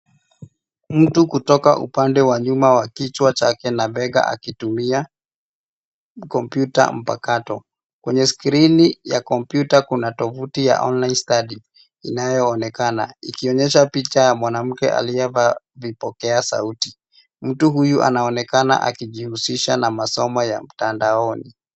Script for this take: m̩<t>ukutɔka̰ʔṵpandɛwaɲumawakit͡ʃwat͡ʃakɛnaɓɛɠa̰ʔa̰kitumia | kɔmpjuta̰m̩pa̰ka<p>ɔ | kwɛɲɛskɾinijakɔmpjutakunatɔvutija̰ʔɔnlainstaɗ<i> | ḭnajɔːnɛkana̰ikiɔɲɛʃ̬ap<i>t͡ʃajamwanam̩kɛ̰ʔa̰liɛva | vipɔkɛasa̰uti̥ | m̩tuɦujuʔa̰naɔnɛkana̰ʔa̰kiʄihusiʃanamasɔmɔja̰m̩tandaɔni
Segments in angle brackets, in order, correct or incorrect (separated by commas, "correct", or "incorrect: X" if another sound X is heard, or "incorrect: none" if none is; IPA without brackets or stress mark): correct, incorrect: t, correct, correct